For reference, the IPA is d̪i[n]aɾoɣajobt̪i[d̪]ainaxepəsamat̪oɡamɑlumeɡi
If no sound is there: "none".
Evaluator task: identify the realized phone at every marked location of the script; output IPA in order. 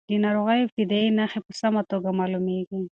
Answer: n, d̪

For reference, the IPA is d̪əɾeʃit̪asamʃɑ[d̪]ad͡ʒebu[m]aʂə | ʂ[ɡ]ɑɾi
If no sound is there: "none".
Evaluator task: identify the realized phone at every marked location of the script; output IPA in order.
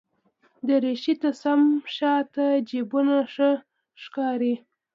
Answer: t̪, n, k

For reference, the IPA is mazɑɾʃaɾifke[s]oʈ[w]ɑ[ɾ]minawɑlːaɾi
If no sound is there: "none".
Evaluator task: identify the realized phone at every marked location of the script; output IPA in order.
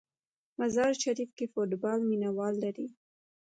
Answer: f, b, l

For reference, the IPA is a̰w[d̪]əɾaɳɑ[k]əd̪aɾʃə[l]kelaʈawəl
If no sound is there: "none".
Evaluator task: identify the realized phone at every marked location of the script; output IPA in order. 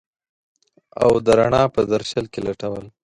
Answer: d̪, p, l

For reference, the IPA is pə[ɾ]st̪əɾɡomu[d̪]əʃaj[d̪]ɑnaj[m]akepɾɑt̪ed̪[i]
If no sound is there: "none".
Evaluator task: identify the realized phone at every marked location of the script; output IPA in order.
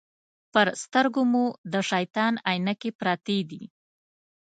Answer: ɾ, d̪, t̪, n, i

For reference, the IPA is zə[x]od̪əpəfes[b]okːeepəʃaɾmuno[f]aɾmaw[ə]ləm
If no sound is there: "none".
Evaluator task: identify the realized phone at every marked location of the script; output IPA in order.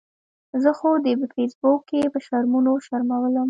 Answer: x, b, ʃ, ə

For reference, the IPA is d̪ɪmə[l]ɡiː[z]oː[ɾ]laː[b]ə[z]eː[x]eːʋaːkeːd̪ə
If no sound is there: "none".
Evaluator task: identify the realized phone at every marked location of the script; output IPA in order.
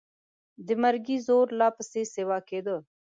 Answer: ɾ, z, ɾ, p, s, s

